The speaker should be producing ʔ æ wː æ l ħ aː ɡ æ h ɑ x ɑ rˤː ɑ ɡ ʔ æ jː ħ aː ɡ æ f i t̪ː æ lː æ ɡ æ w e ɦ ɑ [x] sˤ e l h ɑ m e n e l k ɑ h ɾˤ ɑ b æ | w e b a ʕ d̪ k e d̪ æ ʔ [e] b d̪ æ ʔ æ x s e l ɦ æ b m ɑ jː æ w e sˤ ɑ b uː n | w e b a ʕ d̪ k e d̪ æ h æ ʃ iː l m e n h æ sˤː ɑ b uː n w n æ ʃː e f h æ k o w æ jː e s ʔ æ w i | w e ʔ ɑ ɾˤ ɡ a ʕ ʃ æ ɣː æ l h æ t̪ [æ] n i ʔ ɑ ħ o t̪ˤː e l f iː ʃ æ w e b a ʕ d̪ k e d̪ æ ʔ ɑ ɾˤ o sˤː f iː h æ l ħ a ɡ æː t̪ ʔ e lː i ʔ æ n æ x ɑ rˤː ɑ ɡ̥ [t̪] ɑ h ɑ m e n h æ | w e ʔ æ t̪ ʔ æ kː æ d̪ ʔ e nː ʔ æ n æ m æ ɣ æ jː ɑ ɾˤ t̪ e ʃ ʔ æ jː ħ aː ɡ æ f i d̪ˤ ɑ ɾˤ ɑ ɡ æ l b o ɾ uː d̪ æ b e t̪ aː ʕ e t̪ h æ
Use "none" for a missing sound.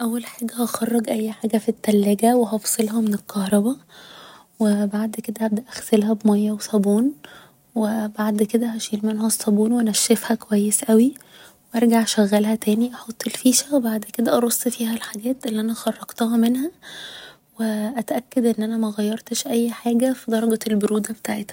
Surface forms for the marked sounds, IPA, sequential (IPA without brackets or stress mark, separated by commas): f, æ, æː, t̪